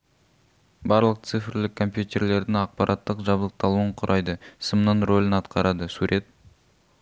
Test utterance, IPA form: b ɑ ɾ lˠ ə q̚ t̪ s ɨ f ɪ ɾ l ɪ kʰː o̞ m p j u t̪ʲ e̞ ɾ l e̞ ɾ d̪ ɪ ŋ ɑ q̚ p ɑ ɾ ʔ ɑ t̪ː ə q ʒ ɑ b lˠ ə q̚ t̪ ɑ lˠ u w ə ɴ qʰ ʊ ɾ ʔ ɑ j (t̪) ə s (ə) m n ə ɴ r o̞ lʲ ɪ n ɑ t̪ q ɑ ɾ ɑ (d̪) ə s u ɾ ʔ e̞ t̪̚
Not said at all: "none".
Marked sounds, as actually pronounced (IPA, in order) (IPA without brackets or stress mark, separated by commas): d̪, ə, d̪